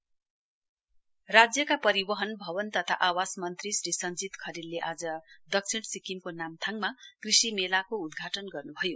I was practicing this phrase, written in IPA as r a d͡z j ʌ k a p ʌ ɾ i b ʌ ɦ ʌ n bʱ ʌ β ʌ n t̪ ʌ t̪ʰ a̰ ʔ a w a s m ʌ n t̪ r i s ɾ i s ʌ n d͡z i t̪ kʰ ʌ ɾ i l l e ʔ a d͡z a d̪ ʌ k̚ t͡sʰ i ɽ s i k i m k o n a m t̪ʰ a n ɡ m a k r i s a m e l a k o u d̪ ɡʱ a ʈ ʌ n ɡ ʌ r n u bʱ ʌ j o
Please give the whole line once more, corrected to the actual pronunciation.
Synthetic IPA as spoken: r a d͡z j ʌ k a p ʌ ɾ i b ʌ ɦ ʌ n bʱ ʌ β ʌ n t̪ ʌ t̪ʰ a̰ ʔ a w a s m ʌ n t̪ r i s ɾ i s ʌ n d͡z i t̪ kʰ ʌ ɾ i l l e ʔ a d͡z ʌ d̪ ʌ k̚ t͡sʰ i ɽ s i k i m k o n a m t̪ʰ a ŋ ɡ m a k r i s i m e l a k o u d̪ ɡʱ a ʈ ʌ n ɡ ʌ r n u bʱ ʌ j o

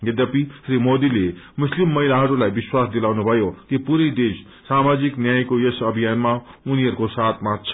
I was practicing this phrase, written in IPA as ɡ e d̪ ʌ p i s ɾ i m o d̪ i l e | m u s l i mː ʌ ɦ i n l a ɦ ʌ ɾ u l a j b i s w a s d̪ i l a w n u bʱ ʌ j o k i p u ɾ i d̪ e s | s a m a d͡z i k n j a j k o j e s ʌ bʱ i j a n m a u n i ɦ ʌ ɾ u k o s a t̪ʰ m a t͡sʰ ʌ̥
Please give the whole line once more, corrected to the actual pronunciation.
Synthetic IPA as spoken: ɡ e d̪ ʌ p i s ɾ i m o d̪ i l e | m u s l i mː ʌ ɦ i l a ɦ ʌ ɾ u l a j b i s w a s d̪ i l a w n u bʱ ʌ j o k i p u ɾ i d̪ e s | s a m a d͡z i k n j a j k o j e s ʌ bʱ i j a n m a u n i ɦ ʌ ɾ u k o s a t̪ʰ m a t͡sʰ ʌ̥

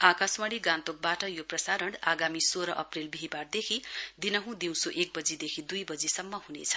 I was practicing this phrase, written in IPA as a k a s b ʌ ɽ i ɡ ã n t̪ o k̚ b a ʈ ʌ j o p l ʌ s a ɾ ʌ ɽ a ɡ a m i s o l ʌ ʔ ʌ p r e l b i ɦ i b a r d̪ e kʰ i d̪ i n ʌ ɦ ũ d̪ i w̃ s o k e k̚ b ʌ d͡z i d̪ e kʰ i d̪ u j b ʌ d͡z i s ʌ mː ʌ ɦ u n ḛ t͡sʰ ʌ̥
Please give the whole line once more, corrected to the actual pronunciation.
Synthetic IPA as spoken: a k a s m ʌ ɽ i ɡ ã n t̪ o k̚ b a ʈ ʌ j o p r ʌ s a ɾ ʌ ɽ a ɡ a m i s o ɾ ʌ ʔ ʌ p r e l b i ɦ i b a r d̪ e kʰ i d̪ i n ʌ ɦ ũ d̪ i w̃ s o ʔ e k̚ b ʌ d͡z i d̪ e kʰ i d̪ u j b ʌ d͡z i s ʌ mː ʌ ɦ u n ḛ t͡sʰ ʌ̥

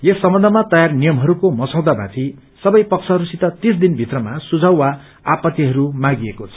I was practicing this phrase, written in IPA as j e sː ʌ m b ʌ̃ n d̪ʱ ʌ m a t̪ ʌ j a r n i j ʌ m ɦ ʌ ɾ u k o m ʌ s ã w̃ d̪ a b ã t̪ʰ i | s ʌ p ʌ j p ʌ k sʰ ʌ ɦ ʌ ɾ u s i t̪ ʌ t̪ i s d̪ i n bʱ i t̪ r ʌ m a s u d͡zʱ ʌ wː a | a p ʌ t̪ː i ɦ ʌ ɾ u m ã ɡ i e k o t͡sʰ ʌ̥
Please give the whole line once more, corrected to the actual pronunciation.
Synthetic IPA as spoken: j e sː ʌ m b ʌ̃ n d̪ʱ ʌ m a t̪ ʌ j a r n i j ʌ m ɦ ʌ ɾ u k o m ʌ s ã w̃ d̪ a b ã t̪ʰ i | s ʌ b ʌ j p ʌ k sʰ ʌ ɦ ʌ ɾ u s i t̪ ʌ t̪ i s d̪ i n bʱ i t̪ r ʌ m a s u d͡zʱ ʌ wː a | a p ʌ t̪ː i ɦ ʌ ɾ u m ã ɡ i e k o t͡sʰ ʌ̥

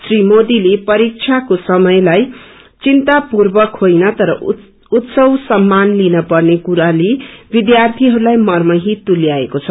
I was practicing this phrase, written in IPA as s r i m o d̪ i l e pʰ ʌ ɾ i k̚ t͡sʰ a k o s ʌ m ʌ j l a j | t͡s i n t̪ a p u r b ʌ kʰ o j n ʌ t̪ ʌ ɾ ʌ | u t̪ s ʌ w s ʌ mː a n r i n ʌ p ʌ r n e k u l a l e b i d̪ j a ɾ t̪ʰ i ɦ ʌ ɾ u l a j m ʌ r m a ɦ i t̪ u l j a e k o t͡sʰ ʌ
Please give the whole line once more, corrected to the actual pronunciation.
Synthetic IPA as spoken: s r i m o d̪ i l e p ʌ ɾ i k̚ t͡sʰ a k o s ʌ m ʌ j l a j | t͡s i n t̪ a p u r b ʌ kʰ o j n ʌ t̪ ʌ ɾ ʌ | u t̪ s ʌ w s ʌ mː a n l i n ʌ p ʌ r n e k u ɾ a l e b i d̪ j a r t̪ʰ i ɦ ʌ ɾ u l a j m ʌ r m ʌ ɦ i t̪ u l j a e k o t͡sʰ ʌ

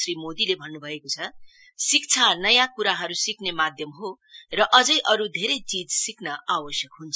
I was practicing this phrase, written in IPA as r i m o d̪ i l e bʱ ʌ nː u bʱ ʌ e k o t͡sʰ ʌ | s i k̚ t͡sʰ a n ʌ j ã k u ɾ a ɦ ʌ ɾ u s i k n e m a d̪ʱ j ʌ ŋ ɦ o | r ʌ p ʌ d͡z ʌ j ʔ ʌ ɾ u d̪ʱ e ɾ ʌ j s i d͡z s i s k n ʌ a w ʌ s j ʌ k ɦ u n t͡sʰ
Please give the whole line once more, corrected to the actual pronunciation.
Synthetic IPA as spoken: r i m o d̪ i l e bʱ ʌ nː u bʱ ʌ e k o t͡sʰ ʌ | s i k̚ t͡sʰ a n ʌ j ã k u ɾ a ɦ ʌ ɾ u s i k n e m a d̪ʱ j ʌ m ɦ o | r ʌ ʔ ʌ d͡z ʌ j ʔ ʌ ɾ u d̪ʱ e ɾ ʌ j t͡s i d͡z s i k n ʌ a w ʌ s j ʌ k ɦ u n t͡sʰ

